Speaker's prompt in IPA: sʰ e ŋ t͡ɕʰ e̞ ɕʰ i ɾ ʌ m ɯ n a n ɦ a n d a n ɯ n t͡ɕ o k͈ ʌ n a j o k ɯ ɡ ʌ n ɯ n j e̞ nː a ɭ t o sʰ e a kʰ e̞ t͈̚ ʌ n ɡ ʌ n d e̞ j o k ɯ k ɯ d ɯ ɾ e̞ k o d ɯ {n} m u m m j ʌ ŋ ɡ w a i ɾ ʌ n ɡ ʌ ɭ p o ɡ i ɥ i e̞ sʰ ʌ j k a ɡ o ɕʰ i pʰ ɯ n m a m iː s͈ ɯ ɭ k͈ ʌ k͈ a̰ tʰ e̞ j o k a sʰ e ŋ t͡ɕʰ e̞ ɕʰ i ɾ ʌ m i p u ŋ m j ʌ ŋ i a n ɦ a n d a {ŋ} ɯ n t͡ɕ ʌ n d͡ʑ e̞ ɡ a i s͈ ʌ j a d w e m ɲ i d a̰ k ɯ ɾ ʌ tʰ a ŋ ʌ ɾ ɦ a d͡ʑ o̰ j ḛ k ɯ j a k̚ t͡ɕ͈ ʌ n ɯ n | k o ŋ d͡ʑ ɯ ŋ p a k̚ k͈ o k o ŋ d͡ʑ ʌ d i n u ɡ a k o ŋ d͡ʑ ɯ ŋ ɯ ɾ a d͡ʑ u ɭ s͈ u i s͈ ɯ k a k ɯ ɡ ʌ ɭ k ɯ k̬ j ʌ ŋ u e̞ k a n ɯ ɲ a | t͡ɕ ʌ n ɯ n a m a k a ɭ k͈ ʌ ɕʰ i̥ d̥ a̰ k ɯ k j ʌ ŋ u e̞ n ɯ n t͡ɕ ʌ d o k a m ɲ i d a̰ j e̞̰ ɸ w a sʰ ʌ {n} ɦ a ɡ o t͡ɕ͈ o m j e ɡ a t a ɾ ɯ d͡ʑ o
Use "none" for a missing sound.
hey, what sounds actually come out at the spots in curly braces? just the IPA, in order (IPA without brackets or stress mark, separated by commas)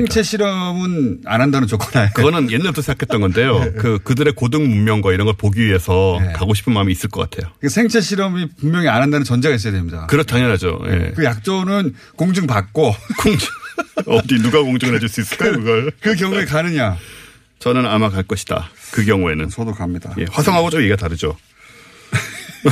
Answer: ŋ, n, ŋ